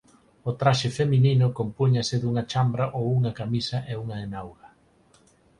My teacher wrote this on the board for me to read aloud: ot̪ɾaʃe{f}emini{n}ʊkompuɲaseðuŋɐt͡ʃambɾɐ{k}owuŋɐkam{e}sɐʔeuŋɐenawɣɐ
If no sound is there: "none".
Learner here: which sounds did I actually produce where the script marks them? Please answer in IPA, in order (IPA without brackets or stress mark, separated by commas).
f, n, ʔ, i